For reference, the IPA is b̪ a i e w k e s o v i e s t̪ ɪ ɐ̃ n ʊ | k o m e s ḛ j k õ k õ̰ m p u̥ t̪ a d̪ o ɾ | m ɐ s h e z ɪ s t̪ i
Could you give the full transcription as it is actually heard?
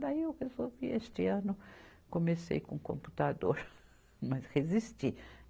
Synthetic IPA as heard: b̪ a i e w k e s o v i e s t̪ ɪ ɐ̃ n ʊ | k o m e s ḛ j k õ k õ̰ m p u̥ t̪ a d̪ o ɾ | m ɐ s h e z i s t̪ i